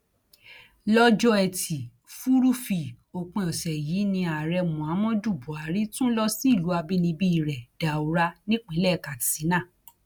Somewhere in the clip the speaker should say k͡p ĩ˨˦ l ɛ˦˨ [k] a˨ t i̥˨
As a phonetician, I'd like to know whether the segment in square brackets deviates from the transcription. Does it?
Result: no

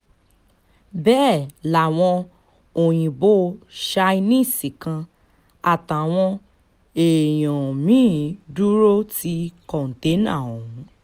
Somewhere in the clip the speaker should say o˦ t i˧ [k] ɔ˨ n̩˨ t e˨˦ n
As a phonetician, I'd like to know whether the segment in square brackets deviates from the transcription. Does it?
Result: no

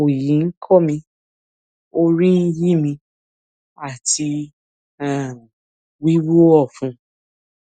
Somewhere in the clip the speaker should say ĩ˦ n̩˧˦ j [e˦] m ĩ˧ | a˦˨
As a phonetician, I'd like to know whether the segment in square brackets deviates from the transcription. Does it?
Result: yes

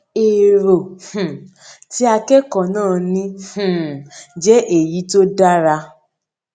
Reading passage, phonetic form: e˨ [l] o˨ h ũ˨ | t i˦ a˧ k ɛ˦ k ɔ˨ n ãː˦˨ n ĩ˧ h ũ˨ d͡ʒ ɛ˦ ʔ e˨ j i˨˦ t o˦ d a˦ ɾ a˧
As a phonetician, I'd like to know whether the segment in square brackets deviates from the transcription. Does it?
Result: yes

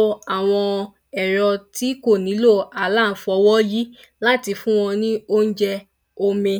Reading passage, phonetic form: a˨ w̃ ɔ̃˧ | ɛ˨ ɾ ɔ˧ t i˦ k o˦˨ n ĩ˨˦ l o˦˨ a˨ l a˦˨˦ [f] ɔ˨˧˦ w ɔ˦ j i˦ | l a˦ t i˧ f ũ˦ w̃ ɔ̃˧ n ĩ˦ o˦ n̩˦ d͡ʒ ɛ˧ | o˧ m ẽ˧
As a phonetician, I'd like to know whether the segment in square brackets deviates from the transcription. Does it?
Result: no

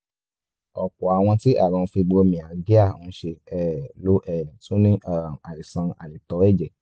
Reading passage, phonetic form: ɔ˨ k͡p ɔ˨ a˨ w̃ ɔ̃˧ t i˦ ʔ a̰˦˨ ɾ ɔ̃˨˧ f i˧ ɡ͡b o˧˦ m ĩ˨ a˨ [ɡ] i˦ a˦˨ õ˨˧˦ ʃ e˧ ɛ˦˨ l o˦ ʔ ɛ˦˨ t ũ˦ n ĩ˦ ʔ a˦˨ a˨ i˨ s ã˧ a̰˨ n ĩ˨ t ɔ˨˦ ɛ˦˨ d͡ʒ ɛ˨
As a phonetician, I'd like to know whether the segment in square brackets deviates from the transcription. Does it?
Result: no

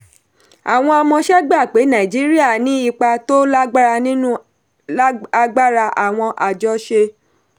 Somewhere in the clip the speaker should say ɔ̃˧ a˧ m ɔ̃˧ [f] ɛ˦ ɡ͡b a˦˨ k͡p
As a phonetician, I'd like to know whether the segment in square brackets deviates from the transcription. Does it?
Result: yes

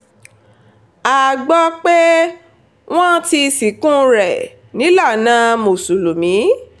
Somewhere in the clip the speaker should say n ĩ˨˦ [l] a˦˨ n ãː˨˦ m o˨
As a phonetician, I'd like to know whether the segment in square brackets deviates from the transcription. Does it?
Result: no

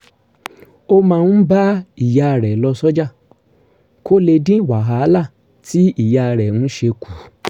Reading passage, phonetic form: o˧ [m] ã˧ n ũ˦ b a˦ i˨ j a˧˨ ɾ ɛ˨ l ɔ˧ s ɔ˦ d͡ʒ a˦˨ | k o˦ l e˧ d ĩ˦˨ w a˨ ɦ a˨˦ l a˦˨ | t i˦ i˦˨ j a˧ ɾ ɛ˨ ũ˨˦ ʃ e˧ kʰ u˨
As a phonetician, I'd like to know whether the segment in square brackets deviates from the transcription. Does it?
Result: no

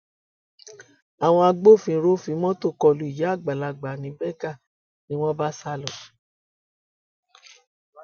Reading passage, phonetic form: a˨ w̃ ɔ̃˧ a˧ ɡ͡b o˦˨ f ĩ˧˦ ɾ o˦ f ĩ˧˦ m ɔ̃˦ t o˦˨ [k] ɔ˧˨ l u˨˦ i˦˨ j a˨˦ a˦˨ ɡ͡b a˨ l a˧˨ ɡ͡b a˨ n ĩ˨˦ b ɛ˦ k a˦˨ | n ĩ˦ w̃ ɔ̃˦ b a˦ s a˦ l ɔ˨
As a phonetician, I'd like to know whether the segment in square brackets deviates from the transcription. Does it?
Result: no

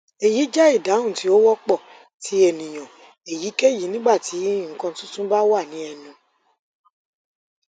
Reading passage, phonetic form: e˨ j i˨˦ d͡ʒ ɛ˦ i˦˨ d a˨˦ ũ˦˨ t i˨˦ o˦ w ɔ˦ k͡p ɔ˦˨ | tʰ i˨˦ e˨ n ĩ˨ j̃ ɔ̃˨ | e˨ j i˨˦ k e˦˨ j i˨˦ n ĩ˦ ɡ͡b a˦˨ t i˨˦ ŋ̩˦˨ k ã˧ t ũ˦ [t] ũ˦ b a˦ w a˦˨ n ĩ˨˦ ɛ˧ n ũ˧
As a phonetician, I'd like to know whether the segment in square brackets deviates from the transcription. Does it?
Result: no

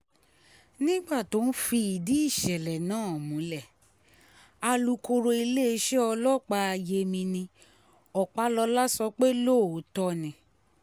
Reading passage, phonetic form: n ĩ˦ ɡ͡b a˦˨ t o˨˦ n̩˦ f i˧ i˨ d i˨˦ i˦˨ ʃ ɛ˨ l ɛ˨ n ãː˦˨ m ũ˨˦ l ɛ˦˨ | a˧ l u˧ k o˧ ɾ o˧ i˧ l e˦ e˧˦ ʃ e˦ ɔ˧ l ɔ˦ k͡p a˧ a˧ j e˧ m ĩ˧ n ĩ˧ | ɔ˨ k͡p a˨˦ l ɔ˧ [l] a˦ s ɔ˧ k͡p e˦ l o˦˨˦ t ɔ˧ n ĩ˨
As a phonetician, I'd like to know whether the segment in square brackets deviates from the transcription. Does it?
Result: no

